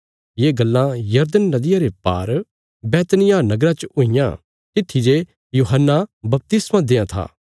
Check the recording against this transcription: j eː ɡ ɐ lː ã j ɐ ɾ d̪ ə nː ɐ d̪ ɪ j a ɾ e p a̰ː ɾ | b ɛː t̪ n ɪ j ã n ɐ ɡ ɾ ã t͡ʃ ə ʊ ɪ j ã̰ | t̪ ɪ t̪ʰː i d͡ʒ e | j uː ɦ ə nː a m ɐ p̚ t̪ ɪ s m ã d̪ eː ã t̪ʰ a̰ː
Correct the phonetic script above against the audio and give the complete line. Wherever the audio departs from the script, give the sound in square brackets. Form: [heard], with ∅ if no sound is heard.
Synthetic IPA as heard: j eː ɡ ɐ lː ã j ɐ ɾ d̪ ə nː ɐ d̪ ɪ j a ɾ e p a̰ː ɾ | b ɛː t̪ n ɪ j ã n ɐ ɡ ɾ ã t͡ʃ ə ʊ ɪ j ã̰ | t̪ ɪ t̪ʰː i d͡ʒ e | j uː ɦ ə nː a [b] ɐ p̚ t̪ ɪ s m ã d̪ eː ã t̪ʰ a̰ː